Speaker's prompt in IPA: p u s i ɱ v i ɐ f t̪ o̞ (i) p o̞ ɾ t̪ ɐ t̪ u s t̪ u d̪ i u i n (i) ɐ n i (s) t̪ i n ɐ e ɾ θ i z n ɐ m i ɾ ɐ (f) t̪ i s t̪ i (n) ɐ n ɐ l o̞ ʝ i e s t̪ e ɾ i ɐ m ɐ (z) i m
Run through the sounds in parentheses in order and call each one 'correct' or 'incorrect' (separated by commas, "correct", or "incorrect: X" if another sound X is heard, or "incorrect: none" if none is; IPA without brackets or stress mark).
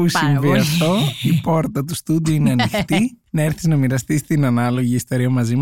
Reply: correct, incorrect: e, incorrect: x, incorrect: s, correct, correct